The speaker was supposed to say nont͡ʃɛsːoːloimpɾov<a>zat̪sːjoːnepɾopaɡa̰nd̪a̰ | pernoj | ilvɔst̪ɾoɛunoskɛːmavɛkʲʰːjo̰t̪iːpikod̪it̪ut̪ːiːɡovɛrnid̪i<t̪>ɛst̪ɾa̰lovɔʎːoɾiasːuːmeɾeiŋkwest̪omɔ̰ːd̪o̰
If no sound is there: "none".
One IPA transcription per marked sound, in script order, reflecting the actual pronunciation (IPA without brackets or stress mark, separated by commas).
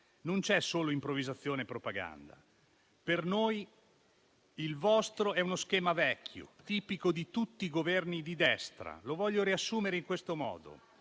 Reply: i, d̪